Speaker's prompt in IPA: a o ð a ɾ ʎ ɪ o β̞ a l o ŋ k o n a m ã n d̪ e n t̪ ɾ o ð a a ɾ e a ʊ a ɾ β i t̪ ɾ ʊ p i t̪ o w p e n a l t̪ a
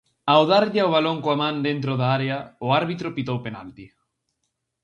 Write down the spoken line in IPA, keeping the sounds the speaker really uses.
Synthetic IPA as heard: a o ð a ɾ ʎ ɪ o β̞ a l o ŋ k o a m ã n d̪ e n t̪ ɾ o ð a a ɾ e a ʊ a ɾ β i t̪ ɾ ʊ p i t̪ o w p e n a l t̪ i